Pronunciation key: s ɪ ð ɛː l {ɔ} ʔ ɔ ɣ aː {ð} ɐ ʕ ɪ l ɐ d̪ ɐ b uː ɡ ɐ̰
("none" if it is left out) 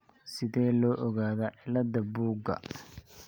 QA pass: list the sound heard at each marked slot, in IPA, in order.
ɔː, ð

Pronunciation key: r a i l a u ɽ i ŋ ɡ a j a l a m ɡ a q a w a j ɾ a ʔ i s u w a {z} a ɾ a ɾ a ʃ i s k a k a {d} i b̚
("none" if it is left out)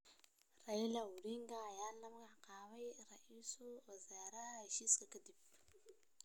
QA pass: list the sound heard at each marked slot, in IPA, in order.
z, d

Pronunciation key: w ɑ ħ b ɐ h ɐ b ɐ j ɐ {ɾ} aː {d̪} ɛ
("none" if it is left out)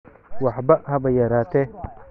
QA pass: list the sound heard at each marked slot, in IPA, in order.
ɾ, t̪

